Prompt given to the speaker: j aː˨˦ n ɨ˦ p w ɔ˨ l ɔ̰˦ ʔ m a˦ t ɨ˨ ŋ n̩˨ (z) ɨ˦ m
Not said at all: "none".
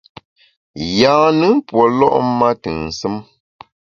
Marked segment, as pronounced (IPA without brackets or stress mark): s